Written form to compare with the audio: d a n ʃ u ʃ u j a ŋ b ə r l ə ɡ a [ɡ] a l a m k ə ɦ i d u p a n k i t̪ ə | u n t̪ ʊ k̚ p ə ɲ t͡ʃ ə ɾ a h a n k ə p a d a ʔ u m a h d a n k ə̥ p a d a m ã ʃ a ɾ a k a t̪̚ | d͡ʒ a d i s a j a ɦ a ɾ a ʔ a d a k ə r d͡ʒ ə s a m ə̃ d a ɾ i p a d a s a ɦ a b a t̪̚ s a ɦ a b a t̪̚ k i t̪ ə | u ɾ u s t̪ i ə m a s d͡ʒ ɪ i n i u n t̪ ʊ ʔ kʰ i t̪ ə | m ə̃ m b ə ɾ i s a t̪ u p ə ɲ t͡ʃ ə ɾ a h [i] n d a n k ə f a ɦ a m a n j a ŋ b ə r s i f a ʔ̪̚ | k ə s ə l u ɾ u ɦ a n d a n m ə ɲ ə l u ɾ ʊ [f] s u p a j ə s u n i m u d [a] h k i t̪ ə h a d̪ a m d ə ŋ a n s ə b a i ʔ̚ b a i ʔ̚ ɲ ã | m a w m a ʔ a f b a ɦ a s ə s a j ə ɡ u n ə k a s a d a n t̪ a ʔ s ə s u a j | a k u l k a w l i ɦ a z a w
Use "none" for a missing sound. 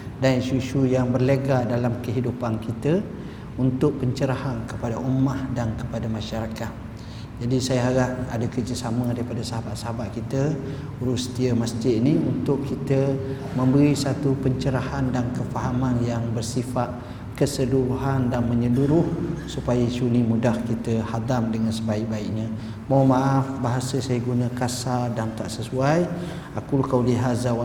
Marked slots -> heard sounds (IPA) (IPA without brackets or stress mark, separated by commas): d, a, h, a